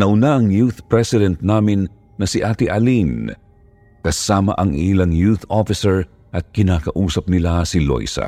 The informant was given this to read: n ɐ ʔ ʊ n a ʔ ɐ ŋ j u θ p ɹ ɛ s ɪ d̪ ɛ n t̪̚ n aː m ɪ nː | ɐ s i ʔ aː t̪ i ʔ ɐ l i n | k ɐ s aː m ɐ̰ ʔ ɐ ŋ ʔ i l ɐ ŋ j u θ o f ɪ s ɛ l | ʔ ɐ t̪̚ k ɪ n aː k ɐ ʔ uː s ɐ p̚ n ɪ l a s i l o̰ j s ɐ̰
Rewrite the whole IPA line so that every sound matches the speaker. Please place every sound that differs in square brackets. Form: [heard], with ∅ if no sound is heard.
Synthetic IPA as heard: n ɐ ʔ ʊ n a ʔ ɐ ŋ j u θ p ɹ ɛ s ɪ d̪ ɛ n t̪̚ n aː m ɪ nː | ɐ s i ʔ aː t̪ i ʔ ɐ l i n | k ɐ s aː m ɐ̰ ʔ ɐ ŋ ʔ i l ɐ ŋ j u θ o f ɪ s ɛ [ɹ] | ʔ ɐ t̪̚ k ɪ n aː k ɐ ʔ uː s ɐ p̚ n ɪ l a s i l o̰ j s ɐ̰